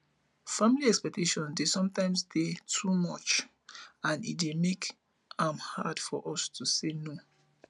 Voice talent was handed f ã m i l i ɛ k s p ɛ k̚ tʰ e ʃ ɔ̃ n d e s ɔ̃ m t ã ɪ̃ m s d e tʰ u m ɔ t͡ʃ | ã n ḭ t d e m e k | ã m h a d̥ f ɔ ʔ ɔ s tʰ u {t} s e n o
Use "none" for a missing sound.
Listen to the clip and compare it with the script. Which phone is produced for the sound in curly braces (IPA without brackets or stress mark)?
none